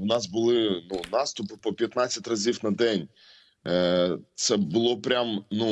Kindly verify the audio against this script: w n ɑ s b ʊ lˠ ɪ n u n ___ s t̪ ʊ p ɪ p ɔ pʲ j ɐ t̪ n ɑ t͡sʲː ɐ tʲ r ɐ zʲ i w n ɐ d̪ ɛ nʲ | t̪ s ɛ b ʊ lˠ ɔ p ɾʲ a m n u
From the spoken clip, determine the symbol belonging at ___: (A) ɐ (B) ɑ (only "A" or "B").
B